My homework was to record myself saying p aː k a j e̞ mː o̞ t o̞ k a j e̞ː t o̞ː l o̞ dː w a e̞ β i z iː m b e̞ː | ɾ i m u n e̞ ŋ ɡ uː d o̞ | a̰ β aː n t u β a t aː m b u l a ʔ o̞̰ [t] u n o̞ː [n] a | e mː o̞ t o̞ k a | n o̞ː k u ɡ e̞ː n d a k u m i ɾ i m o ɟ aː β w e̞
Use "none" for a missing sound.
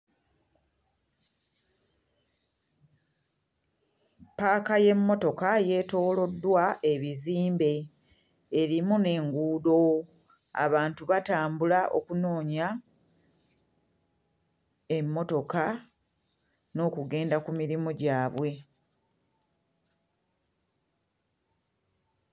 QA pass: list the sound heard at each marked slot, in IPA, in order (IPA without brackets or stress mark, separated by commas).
k, ɲ